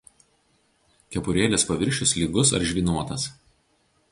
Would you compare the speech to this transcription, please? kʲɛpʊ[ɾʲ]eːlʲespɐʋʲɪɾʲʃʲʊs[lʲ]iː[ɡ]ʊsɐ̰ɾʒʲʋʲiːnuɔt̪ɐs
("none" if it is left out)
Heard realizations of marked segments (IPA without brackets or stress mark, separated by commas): ɾʲ, lʲ, ɡ